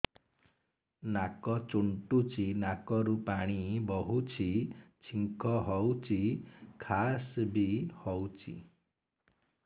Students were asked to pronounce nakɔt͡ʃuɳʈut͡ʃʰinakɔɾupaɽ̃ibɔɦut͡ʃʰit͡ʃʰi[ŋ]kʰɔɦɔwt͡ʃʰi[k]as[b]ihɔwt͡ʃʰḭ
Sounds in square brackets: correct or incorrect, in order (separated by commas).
correct, incorrect, correct